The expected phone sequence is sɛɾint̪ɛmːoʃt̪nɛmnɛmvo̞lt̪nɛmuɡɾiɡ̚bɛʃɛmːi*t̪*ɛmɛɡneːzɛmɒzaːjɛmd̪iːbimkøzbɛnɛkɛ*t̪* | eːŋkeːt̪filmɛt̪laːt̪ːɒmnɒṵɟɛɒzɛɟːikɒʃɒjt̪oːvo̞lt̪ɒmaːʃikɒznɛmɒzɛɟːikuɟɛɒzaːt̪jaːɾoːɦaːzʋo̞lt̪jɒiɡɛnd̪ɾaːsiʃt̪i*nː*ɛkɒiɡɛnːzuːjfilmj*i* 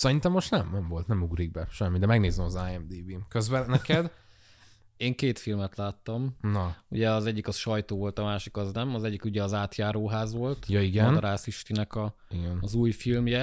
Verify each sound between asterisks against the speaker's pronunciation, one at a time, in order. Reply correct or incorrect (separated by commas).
incorrect, incorrect, incorrect, incorrect